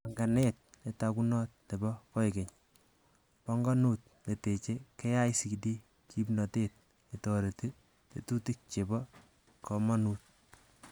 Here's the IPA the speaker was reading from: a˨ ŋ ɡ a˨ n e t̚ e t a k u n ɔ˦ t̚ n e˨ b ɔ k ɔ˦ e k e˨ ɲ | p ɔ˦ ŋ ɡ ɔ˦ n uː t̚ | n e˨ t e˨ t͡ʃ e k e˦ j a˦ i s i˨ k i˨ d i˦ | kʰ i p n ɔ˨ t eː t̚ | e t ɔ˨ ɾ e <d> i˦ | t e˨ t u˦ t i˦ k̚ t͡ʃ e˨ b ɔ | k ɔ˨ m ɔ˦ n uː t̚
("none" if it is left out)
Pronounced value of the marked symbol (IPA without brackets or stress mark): t